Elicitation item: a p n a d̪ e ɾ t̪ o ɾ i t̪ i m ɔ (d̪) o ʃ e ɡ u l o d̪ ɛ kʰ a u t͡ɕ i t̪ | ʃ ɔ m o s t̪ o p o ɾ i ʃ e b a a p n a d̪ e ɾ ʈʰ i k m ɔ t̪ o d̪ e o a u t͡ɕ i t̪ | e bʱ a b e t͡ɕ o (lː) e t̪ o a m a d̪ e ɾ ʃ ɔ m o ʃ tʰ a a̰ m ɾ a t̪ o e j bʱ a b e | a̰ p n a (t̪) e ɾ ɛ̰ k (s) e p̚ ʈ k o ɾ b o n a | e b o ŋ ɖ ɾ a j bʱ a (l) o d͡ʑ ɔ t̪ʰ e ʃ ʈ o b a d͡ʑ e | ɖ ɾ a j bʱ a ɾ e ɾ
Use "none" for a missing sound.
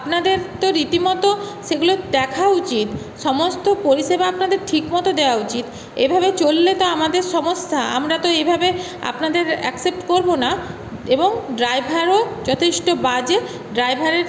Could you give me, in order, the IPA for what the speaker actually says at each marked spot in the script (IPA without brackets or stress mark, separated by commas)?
t̪, lː, d̪, s, ɾ